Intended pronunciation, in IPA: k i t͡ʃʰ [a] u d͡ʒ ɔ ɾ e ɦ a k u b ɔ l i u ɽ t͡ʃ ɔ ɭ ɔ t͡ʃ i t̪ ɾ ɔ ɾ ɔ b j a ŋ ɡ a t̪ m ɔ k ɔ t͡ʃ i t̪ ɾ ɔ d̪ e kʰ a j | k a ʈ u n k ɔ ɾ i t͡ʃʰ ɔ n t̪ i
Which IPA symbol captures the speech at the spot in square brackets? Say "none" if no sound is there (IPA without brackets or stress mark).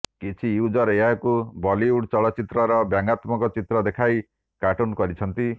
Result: i